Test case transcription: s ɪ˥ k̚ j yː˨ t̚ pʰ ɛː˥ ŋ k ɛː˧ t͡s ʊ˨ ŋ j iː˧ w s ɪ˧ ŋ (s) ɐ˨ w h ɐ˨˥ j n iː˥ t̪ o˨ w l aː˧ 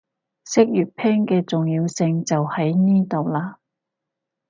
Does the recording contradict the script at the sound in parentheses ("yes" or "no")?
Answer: yes